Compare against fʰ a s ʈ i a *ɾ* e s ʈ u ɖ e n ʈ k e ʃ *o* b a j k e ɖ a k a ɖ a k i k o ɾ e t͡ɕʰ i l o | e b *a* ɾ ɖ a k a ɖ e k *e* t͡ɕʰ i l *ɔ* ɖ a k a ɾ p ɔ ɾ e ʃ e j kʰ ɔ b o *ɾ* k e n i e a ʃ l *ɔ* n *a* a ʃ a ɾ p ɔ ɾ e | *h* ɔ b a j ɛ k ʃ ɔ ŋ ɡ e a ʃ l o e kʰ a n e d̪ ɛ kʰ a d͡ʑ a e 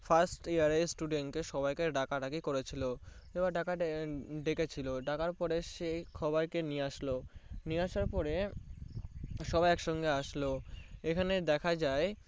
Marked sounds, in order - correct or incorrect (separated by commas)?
correct, incorrect, correct, correct, incorrect, correct, incorrect, incorrect, incorrect